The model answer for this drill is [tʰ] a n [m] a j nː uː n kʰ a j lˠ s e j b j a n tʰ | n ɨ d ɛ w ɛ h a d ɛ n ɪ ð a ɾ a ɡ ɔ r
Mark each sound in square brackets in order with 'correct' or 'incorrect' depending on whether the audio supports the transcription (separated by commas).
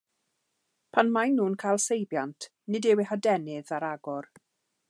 incorrect, correct